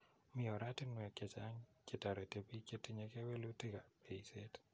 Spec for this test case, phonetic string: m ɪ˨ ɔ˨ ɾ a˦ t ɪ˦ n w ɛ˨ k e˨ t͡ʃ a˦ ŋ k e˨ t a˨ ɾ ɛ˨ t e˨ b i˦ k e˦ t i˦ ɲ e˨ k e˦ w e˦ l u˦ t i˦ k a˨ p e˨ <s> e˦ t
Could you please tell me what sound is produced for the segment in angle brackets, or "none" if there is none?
s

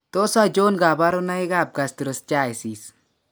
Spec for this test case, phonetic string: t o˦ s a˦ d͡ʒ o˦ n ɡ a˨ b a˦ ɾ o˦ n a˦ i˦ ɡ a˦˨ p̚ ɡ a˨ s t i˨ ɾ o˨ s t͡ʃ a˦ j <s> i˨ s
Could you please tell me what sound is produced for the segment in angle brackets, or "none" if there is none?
s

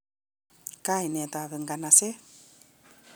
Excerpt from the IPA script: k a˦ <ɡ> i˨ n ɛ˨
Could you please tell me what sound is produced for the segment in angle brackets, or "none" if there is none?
none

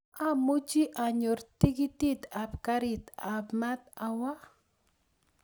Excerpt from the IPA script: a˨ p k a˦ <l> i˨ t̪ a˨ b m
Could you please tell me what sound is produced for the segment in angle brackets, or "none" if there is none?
ɾ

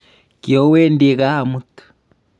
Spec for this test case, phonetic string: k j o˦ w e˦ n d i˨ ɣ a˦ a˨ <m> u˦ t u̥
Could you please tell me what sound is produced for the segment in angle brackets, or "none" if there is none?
m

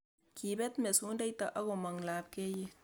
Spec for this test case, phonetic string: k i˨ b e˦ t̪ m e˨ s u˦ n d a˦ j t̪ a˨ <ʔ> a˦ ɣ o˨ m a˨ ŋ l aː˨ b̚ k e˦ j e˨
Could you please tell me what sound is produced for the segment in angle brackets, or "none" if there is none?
ʔ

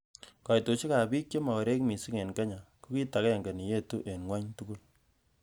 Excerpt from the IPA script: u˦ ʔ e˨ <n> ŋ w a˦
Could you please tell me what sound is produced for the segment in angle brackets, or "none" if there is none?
n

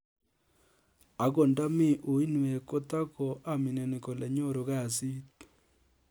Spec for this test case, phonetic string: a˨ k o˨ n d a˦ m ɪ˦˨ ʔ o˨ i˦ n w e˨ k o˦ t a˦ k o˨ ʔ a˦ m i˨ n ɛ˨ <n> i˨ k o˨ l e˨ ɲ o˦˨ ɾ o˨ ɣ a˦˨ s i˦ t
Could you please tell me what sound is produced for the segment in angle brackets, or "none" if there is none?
n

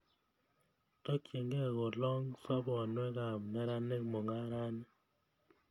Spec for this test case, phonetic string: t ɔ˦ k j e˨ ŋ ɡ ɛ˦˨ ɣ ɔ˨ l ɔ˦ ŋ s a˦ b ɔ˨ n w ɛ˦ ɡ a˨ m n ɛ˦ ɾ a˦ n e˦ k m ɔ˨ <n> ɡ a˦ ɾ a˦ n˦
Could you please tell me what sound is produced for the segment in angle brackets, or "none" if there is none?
ŋ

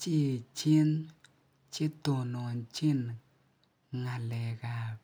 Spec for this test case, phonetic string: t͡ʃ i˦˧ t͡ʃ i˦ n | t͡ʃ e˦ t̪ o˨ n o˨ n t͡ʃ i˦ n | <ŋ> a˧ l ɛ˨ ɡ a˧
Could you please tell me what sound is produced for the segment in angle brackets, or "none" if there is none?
ŋ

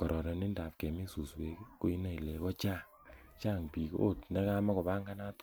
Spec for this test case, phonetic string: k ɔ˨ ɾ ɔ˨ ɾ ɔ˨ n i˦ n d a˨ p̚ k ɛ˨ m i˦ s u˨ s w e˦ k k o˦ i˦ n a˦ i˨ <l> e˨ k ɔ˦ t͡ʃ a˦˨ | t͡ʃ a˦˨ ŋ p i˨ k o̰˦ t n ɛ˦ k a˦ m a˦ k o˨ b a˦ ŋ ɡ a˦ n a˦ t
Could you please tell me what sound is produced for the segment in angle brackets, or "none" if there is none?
l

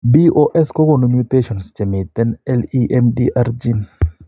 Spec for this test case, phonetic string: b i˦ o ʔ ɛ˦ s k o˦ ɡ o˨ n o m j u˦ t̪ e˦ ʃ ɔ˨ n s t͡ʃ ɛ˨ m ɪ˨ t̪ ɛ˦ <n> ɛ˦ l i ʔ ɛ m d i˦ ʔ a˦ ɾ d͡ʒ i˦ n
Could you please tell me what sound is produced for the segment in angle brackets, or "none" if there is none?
n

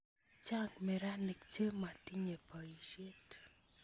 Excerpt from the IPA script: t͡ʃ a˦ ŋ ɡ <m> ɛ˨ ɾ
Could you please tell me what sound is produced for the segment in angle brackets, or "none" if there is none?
m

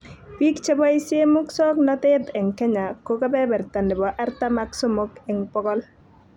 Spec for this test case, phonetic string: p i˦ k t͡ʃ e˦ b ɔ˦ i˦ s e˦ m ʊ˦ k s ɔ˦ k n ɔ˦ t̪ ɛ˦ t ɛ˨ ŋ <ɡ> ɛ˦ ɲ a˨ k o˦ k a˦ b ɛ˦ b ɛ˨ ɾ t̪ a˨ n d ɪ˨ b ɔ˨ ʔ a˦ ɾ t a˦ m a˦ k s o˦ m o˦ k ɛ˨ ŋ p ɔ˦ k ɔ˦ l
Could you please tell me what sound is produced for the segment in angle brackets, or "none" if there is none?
k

